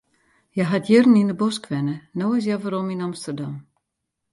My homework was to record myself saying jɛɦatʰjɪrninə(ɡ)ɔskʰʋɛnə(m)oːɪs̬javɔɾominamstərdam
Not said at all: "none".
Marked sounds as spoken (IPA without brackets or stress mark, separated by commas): b, n